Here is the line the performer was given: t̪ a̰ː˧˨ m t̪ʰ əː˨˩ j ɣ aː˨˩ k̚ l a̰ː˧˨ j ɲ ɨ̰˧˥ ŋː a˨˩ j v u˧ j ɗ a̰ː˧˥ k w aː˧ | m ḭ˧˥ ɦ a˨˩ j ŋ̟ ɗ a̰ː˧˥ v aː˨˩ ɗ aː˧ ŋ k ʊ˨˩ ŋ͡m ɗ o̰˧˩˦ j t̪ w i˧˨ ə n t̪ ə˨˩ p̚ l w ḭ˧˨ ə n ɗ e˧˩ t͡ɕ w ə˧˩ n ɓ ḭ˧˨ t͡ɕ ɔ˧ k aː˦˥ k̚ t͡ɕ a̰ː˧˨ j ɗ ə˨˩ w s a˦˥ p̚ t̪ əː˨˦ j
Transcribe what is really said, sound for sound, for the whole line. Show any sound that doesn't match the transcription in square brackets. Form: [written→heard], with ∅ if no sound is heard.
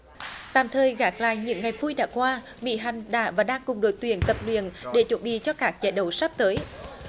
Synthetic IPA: t̪ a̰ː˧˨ m t̪ʰ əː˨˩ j ɣ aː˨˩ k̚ l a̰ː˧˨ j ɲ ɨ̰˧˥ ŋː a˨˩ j v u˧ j ɗ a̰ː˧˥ k w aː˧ | m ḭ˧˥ ɦ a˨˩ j ŋ̟ ɗ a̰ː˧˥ v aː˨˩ ɗ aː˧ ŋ k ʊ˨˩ ŋ͡m ɗ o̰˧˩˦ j t̪ w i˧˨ ə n t̪ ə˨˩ p̚ l w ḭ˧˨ ə n ɗ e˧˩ t͡ɕ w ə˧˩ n ɓ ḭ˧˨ t͡ɕ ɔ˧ k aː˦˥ k̚ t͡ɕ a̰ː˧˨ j ɗ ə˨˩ w s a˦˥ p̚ t̪ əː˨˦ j